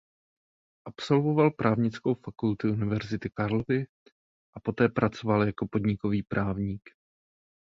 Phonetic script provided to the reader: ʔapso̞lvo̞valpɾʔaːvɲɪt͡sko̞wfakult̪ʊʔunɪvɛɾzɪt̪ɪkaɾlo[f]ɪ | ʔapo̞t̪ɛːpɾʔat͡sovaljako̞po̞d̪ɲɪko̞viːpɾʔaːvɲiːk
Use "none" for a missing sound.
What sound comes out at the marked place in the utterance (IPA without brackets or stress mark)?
v